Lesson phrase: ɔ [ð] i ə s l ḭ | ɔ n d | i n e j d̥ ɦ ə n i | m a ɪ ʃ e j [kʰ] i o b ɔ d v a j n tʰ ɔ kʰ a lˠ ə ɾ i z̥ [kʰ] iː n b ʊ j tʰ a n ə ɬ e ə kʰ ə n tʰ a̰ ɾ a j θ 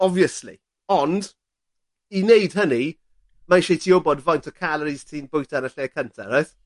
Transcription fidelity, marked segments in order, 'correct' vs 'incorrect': incorrect: v, incorrect: tʰ, incorrect: tʰ

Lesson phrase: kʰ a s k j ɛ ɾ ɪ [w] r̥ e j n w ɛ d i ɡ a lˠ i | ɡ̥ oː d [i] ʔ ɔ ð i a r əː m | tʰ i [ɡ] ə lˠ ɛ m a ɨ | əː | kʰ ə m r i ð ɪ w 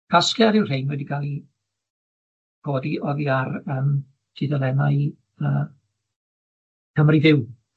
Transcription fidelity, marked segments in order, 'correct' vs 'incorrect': correct, correct, incorrect: d

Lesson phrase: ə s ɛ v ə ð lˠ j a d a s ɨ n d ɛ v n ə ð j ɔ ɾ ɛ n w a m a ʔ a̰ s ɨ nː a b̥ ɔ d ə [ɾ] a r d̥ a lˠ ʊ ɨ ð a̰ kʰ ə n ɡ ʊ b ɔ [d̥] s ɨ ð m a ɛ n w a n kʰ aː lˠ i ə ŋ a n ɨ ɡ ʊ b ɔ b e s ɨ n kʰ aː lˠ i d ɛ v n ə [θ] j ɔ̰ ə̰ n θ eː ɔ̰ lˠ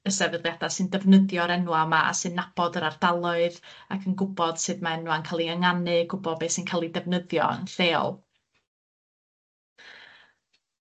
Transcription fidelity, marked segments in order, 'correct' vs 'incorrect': correct, correct, incorrect: ð

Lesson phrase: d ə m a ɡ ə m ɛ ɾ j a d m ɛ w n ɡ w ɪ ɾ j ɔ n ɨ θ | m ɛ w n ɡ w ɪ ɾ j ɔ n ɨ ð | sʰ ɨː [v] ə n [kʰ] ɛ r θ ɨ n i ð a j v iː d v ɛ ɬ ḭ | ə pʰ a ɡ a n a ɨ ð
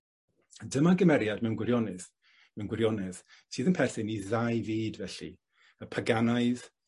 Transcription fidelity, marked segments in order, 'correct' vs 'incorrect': incorrect: ð, incorrect: pʰ

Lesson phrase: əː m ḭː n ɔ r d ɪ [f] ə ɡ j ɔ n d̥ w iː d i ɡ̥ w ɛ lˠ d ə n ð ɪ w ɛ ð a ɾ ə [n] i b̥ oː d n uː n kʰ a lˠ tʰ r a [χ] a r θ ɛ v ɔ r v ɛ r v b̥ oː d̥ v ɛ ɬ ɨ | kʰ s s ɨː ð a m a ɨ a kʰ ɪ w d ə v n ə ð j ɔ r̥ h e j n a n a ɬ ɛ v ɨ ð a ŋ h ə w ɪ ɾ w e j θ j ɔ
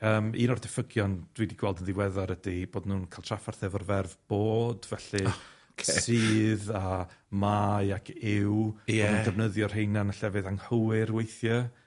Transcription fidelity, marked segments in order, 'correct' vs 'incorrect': correct, incorrect: d, incorrect: f

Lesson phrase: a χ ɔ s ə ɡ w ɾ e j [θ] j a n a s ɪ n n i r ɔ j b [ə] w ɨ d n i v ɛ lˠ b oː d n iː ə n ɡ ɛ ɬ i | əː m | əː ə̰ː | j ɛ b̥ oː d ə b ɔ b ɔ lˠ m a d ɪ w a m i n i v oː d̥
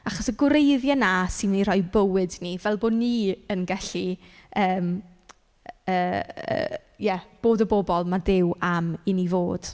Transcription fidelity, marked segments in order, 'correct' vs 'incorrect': incorrect: ð, correct

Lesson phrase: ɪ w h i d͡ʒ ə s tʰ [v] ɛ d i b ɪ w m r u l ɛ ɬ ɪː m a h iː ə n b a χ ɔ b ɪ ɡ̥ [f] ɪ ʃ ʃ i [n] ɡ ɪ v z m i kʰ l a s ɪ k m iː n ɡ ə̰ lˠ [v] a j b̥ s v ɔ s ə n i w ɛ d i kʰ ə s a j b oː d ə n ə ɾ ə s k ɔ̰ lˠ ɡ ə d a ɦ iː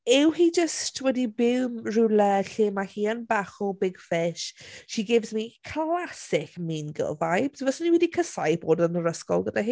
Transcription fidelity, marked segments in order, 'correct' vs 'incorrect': incorrect: w, correct, incorrect: none, correct

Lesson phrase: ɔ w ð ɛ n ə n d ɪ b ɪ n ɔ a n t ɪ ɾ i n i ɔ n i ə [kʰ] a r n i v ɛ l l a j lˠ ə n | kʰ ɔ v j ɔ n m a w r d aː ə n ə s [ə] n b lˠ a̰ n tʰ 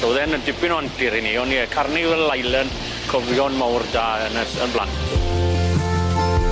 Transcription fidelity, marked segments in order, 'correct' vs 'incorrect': correct, correct

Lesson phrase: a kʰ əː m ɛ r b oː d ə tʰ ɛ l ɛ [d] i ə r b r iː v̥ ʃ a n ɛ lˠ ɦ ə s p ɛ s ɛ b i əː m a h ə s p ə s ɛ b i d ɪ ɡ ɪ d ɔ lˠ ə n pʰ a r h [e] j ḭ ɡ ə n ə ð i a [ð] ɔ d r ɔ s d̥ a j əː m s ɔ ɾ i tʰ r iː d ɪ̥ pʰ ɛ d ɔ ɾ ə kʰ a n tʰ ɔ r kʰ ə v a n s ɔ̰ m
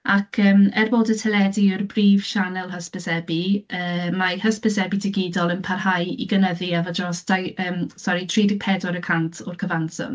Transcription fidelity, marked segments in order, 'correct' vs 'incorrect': correct, incorrect: a, incorrect: v

